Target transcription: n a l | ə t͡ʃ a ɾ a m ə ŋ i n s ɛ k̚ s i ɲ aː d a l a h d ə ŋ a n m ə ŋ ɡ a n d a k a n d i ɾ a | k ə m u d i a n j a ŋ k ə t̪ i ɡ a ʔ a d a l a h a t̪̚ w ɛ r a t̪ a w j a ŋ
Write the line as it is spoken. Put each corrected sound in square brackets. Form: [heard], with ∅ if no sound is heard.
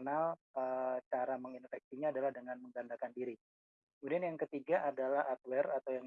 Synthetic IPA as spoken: n a l | ə t͡ʃ a ɾ a m ə ŋ i n [f] ɛ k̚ s i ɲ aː d a l a h d ə ŋ a n m ə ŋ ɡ a n d a k a n d i ɾ [i] | k ə m u d i a n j a ŋ k ə t̪ i ɡ a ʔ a d a l a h a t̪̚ w ɛ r a t̪ a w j a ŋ